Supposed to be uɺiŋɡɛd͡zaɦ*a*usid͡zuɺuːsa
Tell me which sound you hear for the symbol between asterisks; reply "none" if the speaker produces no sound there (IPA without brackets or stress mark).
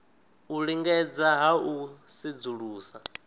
a